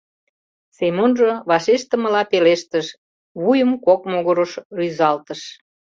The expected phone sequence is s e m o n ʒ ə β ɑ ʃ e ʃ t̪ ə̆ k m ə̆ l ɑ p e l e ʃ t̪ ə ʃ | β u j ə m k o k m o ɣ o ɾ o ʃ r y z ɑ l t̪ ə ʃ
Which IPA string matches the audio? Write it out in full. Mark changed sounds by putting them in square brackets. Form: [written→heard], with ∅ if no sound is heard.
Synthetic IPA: s e m o n ʒ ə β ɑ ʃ e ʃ t̪ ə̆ [k→∅] m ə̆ l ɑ p e l e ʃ t̪ ə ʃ | β u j ə m k o k m o ɣ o ɾ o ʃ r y z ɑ l t̪ ə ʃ